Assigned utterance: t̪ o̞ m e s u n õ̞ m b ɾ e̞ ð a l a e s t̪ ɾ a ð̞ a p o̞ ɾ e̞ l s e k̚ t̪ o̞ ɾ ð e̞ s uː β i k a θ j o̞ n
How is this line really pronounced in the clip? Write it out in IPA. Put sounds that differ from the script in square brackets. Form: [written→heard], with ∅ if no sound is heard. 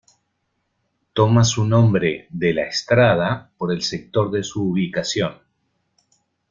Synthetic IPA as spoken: t̪ o̞ m [e→a] s u n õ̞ m b ɾ e̞ ð [a→e] l a e s t̪ ɾ a ð̞ a p o̞ ɾ e̞ l s e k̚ t̪ o̞ ɾ ð e̞ s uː β i k a [θ→s] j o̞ n